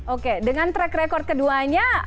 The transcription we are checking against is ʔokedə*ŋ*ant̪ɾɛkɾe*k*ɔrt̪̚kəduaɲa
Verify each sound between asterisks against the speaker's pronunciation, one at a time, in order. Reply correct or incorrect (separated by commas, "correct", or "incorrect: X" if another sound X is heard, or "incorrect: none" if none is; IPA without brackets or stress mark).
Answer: correct, correct